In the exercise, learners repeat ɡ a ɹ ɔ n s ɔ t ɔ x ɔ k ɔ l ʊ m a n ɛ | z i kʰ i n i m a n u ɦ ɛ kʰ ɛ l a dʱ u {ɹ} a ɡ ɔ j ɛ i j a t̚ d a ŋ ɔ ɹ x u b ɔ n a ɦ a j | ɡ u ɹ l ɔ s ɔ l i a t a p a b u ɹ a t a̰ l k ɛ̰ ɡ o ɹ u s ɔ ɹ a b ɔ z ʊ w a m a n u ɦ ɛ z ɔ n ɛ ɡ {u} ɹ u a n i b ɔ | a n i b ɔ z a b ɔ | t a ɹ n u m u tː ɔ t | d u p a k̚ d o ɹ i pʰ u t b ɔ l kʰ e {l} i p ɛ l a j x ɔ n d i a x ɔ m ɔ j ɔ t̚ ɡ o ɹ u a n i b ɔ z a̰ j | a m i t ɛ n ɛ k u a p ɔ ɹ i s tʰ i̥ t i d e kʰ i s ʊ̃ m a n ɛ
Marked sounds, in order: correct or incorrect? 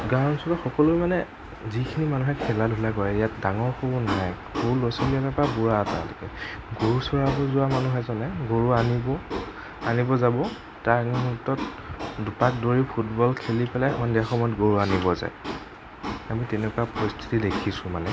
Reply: incorrect: l, incorrect: o, correct

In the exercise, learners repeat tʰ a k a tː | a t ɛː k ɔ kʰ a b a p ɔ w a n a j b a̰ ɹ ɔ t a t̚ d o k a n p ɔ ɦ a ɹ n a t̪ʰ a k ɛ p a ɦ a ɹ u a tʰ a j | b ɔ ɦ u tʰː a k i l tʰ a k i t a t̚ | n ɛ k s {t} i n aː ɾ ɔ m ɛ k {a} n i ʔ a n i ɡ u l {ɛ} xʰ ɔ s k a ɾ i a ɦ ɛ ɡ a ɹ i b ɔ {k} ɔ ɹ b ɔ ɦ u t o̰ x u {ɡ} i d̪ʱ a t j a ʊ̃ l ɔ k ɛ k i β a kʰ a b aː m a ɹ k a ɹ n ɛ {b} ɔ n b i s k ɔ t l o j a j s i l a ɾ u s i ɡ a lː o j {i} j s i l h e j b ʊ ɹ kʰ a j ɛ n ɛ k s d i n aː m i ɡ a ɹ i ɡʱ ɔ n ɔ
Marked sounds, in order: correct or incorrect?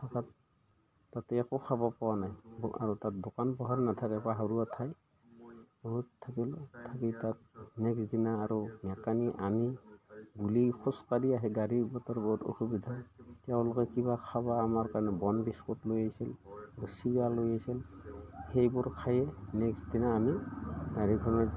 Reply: incorrect: d, correct, incorrect: i, incorrect: t, incorrect: b, correct, incorrect: a

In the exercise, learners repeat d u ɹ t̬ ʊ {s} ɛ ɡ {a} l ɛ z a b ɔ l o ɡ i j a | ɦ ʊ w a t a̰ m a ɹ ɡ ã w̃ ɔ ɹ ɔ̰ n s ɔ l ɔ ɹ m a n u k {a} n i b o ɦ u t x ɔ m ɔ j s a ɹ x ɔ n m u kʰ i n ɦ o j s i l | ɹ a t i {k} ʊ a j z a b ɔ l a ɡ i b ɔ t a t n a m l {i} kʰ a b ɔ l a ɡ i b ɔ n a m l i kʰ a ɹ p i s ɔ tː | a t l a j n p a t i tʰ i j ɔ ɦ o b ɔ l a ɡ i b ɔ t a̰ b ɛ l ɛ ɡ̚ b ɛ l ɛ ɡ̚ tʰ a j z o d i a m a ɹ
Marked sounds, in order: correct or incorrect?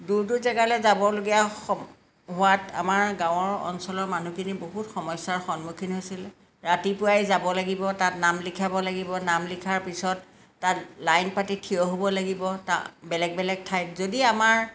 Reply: incorrect: z, correct, incorrect: i, incorrect: p, correct

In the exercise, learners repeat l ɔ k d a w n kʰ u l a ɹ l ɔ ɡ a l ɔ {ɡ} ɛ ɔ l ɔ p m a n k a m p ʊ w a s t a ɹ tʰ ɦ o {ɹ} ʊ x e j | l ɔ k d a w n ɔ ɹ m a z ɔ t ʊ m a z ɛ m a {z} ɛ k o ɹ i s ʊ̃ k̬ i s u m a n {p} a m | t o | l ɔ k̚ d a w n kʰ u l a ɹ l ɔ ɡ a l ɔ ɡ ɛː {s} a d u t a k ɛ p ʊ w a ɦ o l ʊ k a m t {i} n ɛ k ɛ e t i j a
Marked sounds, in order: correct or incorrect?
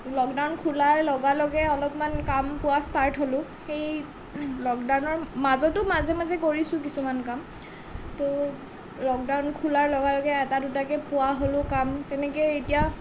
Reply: correct, incorrect: l, correct, incorrect: k, incorrect: t, incorrect: ɛ

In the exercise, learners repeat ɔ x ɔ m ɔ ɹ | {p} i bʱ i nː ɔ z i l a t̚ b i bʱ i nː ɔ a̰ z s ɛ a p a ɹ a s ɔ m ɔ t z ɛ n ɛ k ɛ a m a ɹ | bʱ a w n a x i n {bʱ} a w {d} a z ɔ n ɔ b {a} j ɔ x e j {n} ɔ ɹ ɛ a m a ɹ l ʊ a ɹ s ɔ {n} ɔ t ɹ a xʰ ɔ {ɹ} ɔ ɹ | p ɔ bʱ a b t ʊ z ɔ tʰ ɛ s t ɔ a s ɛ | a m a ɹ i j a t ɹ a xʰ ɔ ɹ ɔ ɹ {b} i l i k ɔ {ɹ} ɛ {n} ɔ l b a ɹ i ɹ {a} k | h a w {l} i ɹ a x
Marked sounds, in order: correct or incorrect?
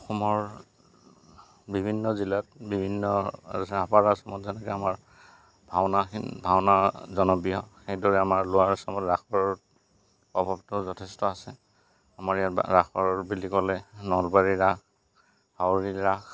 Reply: incorrect: b, correct, incorrect: n, incorrect: i, incorrect: d, incorrect: m, correct, correct, incorrect: l, correct, correct, incorrect: ɹ

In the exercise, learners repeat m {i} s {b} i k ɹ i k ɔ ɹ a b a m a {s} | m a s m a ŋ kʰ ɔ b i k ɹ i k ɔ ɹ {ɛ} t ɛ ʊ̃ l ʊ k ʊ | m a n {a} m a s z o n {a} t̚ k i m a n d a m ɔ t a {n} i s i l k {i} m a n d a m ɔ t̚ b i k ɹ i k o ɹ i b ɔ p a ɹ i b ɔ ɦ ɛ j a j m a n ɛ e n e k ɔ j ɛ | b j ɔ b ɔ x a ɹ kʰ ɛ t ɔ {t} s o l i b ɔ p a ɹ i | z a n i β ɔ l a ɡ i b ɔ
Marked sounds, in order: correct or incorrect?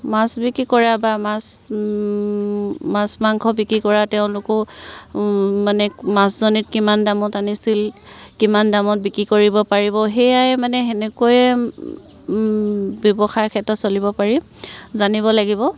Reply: incorrect: a, correct, correct, incorrect: a, incorrect: ɛ, incorrect: i, correct, correct, correct

